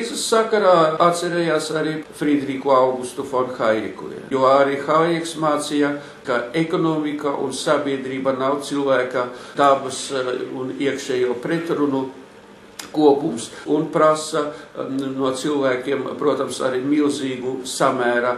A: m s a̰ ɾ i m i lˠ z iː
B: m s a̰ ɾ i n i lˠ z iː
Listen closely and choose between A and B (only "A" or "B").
A